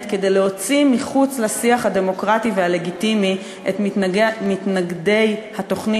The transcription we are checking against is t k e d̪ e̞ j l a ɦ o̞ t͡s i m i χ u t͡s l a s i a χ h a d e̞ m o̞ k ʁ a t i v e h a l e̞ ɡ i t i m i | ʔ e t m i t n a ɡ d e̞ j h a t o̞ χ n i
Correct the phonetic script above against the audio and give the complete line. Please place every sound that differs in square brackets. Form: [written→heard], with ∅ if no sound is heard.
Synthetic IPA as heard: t k e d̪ e̞ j l [a→e] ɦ o̞ t͡s i m i χ u t͡s l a s i a χ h a d e̞ m o̞ k ʁ a t i v e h a l e̞ ɡ i t i m i | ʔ e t m i t n a ɡ d e̞ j h a t o̞ χ n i